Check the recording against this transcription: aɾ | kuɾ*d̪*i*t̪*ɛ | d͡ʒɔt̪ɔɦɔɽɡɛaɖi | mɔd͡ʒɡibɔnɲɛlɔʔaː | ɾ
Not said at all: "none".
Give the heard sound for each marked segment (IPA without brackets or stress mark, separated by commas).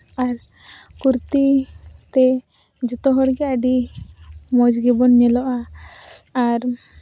t̪, t̪